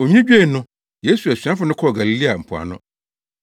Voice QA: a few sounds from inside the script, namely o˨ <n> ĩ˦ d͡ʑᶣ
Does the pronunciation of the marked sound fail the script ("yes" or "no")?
yes